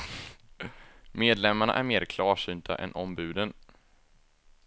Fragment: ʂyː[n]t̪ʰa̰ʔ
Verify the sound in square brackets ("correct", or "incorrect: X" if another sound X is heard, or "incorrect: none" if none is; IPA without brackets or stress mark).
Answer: correct